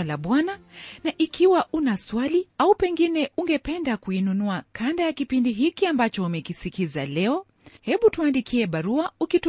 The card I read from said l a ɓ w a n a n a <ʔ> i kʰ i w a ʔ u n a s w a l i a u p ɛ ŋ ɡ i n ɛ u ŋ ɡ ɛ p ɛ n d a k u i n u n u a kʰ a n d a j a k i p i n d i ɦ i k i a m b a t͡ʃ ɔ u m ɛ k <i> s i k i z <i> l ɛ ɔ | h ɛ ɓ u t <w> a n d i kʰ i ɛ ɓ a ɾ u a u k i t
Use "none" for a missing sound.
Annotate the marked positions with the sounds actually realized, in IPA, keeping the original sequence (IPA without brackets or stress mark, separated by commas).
ʔ, i, a, u